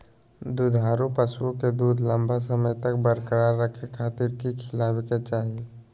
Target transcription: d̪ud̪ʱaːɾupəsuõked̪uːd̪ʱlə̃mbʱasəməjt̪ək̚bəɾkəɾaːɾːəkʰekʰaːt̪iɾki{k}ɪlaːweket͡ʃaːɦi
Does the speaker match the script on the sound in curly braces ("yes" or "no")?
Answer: no